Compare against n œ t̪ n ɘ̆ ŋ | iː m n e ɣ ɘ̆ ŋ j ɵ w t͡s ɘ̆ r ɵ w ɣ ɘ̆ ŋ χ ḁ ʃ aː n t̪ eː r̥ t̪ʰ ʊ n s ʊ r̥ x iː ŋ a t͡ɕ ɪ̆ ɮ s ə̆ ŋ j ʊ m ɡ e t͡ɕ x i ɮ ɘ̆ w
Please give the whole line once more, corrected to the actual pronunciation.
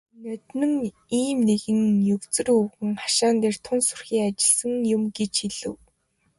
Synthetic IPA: n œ t̪ n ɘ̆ ŋ | iː m n e ɣ ɘ̆ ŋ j ɵ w t͡s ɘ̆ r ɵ w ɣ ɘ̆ ŋ χ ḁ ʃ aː n t̪ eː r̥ t̪ʰ ʊ n s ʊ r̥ x iː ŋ a t͡ɕ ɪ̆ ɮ s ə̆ ŋ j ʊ m ɡ e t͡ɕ x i ɮ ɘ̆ w